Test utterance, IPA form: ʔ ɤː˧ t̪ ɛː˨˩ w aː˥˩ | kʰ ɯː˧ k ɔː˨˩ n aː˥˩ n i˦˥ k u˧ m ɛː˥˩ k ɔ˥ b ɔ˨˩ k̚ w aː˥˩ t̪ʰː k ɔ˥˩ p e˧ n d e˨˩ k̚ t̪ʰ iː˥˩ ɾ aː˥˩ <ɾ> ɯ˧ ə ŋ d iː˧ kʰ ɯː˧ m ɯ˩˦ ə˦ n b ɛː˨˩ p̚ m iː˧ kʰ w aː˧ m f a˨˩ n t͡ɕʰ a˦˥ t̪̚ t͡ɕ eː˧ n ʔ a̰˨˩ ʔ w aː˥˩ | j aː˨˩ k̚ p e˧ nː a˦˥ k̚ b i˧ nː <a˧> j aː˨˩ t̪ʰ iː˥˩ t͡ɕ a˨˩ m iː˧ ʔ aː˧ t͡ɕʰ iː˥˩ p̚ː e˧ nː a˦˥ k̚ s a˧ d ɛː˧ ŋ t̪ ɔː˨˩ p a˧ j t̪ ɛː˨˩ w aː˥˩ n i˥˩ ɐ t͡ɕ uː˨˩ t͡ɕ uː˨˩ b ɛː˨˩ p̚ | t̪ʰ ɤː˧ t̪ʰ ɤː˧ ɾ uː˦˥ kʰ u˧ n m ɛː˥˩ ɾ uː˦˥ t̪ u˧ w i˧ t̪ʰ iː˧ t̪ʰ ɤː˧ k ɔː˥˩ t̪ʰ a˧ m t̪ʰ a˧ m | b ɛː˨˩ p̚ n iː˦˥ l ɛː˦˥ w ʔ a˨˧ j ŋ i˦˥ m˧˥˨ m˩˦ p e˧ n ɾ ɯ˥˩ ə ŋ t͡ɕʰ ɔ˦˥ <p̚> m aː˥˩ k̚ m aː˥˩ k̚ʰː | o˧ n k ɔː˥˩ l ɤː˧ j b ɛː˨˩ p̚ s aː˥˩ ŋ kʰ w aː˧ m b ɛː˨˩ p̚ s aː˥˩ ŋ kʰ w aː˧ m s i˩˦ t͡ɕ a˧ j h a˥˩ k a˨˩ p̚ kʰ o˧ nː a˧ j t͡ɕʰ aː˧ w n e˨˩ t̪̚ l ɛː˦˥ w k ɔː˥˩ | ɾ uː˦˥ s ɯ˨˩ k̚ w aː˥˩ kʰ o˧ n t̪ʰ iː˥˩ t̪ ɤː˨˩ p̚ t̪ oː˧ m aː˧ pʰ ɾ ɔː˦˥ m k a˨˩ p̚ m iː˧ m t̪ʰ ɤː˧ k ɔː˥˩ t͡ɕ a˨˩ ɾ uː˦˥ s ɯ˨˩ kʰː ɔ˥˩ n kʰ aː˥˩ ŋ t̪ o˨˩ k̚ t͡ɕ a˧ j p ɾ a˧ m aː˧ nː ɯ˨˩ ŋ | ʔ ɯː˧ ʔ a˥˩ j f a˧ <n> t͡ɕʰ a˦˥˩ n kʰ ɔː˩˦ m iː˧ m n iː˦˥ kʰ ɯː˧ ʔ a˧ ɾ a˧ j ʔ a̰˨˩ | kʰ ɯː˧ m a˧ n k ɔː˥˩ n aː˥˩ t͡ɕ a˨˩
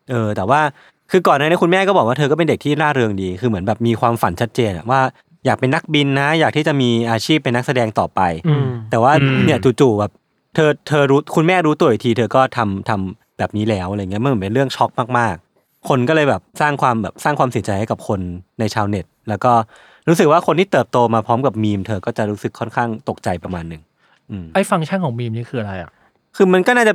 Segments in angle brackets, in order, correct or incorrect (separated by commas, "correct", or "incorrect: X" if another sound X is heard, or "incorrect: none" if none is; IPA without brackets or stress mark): correct, incorrect: a˦˥, incorrect: k̚, incorrect: ŋ